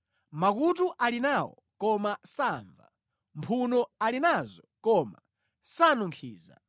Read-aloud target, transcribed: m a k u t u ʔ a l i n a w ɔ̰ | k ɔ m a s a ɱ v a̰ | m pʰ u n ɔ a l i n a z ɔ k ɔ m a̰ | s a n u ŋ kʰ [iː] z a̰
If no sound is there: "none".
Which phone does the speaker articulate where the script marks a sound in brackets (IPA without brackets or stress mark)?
iː